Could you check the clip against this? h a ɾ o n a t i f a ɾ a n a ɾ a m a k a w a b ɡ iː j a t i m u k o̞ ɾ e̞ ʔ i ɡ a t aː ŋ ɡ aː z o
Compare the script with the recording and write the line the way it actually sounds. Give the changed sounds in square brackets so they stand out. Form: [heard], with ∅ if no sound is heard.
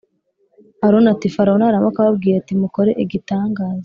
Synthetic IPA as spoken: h a ɾ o n a t i f a ɾ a n a ɾ a m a k a [β] a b ɡ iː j a t i m u k o̞ ɾ e̞ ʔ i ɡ [i] t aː ŋ ɡ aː z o